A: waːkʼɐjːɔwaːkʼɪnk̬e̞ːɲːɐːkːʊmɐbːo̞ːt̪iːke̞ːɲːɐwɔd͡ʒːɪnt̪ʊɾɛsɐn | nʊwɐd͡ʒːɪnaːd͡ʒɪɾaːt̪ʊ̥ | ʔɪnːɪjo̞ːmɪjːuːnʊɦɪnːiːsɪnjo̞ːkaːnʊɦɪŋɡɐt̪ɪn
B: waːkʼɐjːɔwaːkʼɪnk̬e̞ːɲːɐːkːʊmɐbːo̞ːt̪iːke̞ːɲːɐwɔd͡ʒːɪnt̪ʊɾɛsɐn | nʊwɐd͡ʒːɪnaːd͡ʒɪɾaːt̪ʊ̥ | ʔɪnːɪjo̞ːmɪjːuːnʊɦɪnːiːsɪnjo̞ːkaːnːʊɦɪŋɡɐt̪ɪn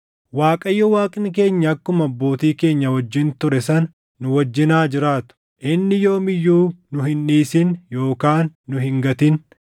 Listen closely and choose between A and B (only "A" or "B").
B